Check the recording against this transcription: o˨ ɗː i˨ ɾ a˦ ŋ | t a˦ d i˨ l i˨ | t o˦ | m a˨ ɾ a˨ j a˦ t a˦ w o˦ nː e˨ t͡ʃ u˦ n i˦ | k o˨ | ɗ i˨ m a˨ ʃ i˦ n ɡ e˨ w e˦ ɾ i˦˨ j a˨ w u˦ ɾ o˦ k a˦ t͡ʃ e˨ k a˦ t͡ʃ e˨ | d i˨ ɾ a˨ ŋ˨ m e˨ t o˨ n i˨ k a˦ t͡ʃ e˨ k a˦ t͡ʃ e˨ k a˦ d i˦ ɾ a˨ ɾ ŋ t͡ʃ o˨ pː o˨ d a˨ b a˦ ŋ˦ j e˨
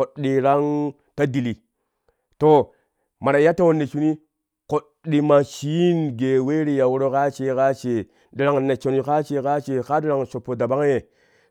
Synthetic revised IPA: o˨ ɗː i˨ ɾ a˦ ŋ | t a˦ d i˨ l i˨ | t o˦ | m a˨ ɾ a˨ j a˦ t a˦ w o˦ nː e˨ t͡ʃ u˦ n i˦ | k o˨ | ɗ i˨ m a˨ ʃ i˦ n ɡ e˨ w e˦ ɾ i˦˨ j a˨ w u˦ ɾ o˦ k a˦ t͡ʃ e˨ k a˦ t͡ʃ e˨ | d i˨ ɾ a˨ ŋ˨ n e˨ t͡ʃ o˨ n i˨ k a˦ t͡ʃ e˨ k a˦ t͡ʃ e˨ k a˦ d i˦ ɾ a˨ ŋ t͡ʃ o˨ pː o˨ d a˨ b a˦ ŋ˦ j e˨